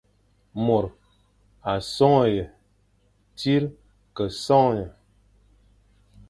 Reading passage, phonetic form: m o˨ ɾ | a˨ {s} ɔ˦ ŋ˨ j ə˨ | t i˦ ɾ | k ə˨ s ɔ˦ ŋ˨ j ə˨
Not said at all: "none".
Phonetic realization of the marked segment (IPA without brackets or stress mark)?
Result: s